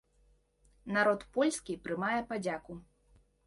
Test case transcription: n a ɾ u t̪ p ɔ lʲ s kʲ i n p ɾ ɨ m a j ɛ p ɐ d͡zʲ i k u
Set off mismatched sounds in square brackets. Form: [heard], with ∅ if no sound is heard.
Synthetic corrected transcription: n a ɾ [ɔ] t̪ p ɔ lʲ s kʲ i [∅] p ɾ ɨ m a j ɛ p [a] d͡zʲ [a] k u